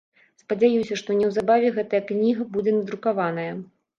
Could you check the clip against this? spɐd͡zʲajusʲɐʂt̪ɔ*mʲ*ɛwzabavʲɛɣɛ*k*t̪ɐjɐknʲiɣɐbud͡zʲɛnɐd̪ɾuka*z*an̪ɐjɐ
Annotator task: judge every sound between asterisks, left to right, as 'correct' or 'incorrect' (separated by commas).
incorrect, incorrect, incorrect